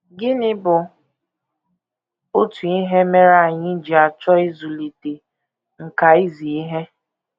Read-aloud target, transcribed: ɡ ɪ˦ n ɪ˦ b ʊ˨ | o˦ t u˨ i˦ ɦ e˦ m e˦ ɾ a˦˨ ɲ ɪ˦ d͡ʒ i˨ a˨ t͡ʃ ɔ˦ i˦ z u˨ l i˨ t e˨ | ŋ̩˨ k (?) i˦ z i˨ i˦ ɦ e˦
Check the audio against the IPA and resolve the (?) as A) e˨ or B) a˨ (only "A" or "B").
B